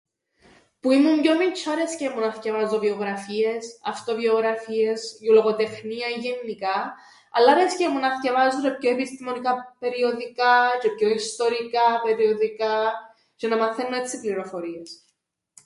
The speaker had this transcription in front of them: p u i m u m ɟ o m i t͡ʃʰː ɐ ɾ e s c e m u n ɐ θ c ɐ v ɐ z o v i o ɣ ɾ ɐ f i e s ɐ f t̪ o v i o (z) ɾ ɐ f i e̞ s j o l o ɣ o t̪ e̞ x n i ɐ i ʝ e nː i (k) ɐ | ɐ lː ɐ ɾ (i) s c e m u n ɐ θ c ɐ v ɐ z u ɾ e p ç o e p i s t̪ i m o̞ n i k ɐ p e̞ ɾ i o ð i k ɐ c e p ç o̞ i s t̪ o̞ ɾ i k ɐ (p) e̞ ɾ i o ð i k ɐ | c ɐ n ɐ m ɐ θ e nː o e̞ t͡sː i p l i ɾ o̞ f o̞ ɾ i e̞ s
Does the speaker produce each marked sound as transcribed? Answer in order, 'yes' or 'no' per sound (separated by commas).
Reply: no, yes, no, yes